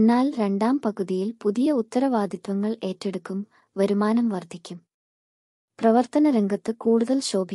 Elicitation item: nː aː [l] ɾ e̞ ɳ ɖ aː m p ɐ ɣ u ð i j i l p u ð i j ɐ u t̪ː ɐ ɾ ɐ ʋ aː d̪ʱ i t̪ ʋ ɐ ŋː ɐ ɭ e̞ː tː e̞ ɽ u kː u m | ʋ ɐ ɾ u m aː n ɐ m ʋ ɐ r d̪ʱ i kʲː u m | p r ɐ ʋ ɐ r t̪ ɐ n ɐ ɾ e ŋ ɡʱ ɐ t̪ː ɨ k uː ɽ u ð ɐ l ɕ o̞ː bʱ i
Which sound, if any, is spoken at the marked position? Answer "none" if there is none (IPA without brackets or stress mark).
l